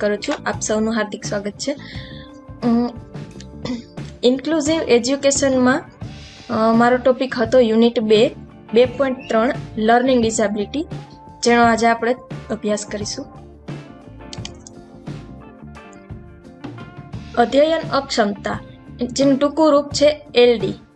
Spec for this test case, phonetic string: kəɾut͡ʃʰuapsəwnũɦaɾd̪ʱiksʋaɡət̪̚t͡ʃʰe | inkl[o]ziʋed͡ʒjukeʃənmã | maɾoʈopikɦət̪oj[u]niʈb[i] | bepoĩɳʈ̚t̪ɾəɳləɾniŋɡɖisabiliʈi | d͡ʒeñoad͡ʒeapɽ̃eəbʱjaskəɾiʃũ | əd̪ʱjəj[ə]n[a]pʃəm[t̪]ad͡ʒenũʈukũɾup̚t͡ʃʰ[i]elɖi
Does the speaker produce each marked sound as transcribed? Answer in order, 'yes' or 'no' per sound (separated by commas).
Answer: no, yes, no, yes, no, yes, no